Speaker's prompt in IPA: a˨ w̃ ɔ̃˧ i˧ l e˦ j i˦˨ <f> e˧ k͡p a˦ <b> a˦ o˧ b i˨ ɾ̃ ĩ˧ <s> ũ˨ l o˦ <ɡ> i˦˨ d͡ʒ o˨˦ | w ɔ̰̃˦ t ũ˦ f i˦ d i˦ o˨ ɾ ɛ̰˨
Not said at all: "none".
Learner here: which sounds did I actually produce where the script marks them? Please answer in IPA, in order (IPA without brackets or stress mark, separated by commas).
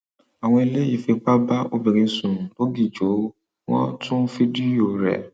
f, b, s, ɡ